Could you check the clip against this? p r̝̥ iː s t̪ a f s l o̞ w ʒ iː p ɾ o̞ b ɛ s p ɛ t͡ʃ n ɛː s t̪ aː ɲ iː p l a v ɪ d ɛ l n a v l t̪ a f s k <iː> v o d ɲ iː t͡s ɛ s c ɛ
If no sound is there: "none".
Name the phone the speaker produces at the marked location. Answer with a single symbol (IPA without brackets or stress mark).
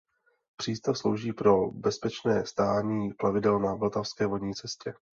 ɛː